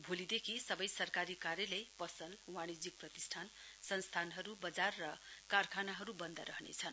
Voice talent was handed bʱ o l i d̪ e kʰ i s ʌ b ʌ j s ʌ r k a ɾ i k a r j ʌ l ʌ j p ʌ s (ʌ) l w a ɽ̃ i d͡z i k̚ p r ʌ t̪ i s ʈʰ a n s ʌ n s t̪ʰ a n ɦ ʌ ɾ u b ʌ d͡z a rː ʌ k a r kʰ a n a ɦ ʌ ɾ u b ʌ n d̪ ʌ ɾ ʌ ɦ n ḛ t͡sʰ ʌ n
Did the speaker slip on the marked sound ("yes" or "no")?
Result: no